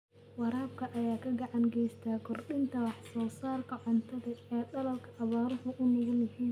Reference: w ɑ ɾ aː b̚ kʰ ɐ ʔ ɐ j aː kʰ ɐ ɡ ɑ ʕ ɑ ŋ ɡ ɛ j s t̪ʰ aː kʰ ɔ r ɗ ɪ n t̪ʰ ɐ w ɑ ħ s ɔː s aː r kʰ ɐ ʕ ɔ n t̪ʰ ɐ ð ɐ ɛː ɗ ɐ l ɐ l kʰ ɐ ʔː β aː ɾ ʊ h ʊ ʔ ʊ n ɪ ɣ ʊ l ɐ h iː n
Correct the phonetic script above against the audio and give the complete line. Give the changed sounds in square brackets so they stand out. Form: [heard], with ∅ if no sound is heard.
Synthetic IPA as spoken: w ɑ ɾ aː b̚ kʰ ɐ ʔ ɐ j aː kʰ ɐ ɡ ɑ ʕ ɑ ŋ ɡ ɛ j s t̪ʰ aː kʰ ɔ r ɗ ɪ n t̪ʰ ɐ w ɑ ħ s ɔː s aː r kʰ ɐ ʕ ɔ n t̪ʰ ɐ ð ɐ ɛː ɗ ɐ l ɐ l kʰ ɐ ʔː β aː ɾ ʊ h ʊ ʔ ʊ n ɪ ɣ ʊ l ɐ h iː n